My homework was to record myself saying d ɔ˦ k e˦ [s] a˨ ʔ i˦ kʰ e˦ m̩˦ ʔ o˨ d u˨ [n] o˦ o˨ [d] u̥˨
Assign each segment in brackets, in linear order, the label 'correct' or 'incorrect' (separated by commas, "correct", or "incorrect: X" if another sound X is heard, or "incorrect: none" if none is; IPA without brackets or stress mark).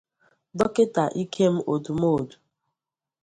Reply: incorrect: t, incorrect: m, correct